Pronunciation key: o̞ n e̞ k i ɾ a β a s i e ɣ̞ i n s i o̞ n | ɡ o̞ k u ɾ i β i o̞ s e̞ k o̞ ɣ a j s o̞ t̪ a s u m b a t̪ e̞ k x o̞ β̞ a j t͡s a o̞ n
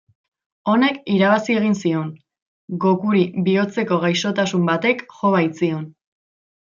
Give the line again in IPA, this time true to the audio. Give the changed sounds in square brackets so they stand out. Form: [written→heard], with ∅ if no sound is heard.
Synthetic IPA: o̞ n e̞ k i ɾ a β a s i e ɣ̞ i n s i o̞ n | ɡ o̞ k u ɾ i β i o̞ [s→t͡s] e̞ k o̞ ɣ a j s o̞ t̪ a s u m b a t̪ e̞ k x o̞ β̞ a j t͡s [a→i] o̞ n